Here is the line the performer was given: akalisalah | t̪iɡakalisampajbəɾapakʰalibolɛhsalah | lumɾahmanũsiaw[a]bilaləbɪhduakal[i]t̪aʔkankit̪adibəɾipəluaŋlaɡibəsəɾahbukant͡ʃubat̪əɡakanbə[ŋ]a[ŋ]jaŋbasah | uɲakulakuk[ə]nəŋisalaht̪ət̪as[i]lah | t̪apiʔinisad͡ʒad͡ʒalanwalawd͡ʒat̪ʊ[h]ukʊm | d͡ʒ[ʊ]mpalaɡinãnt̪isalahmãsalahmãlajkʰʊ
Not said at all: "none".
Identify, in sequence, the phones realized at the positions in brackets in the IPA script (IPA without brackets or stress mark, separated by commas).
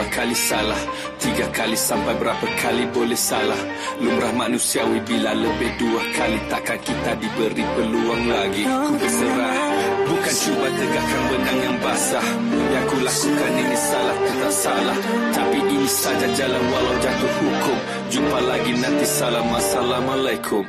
i, i, n, ŋ, a, a, h, u